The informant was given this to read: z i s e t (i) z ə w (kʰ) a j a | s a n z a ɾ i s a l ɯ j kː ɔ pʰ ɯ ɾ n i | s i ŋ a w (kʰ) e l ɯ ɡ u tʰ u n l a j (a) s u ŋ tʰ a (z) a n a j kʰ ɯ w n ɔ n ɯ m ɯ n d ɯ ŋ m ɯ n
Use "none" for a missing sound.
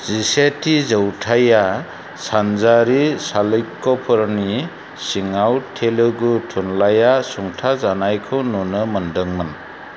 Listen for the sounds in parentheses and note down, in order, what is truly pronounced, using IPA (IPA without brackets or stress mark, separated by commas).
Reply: i, tʰ, tʰ, a, z